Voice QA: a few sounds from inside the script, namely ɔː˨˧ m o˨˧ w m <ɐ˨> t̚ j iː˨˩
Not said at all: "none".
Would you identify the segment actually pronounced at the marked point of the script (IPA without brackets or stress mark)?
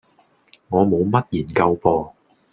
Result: ɐ˥